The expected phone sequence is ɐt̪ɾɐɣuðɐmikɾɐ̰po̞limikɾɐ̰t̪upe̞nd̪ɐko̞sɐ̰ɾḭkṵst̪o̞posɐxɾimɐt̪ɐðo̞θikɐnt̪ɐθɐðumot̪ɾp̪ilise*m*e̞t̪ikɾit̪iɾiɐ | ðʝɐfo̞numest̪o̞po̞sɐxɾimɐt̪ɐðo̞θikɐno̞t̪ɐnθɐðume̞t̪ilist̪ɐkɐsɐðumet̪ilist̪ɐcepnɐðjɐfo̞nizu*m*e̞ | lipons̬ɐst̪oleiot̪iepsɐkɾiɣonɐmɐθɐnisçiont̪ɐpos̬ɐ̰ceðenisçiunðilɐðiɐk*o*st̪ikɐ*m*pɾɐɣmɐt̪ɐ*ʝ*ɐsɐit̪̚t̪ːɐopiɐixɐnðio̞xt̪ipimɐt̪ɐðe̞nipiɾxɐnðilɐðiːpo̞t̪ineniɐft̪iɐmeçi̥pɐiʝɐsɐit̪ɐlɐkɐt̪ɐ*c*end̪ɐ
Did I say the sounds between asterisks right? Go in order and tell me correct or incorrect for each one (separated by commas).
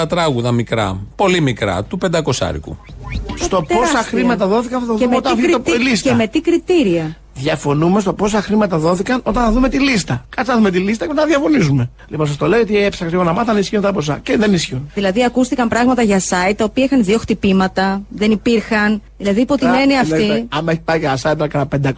correct, correct, incorrect, correct, correct, incorrect